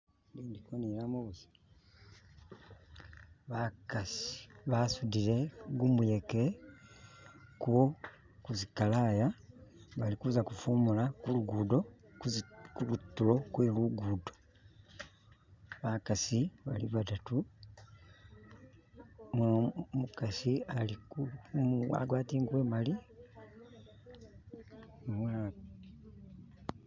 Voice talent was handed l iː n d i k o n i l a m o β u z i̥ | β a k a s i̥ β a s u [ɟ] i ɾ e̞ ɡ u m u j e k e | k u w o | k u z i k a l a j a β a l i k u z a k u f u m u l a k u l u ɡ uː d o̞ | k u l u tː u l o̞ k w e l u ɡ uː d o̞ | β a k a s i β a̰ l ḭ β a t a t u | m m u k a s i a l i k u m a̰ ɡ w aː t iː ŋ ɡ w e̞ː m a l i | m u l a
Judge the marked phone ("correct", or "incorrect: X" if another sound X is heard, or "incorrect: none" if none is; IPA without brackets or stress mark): incorrect: d